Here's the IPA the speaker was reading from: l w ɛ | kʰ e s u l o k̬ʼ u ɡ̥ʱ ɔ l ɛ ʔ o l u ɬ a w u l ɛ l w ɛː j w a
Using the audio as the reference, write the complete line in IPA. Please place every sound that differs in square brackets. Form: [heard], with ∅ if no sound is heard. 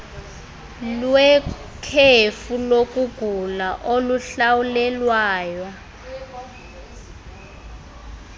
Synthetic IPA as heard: l w ɛ | kʰ e [f] u l o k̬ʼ u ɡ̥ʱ [u] l [a] ʔ o l u ɬ a w u l ɛ l w [aː] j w a